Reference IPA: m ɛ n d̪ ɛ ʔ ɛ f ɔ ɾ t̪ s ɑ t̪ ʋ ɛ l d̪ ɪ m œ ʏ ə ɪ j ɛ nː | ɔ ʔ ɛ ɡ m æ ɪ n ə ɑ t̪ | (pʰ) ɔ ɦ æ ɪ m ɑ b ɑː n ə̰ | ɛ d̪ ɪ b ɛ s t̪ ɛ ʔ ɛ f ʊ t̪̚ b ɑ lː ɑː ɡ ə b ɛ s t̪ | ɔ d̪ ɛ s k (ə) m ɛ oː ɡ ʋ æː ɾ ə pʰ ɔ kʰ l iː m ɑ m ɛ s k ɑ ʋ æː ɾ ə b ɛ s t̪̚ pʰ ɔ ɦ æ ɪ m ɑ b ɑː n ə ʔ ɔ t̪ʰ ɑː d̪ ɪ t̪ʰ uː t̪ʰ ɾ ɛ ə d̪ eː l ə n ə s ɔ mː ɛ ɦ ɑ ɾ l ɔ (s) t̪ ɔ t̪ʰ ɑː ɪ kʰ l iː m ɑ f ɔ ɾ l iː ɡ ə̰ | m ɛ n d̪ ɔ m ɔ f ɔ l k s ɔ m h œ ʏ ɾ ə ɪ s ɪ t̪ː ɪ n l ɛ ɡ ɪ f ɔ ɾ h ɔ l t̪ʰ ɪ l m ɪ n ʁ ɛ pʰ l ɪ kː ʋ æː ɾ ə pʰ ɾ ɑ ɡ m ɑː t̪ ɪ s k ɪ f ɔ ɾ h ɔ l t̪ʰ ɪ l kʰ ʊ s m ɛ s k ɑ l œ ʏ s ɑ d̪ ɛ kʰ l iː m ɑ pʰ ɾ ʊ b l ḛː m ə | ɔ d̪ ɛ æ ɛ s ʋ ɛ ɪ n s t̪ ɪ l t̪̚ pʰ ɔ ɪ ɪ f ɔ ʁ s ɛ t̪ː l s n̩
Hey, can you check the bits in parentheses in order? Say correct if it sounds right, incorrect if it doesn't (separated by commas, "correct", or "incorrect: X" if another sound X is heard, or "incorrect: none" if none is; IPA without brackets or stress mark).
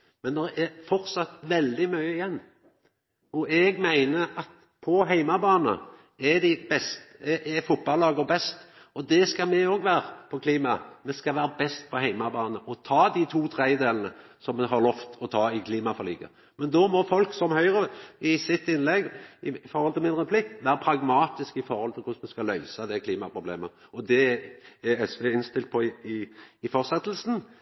correct, incorrect: ɑ, incorrect: f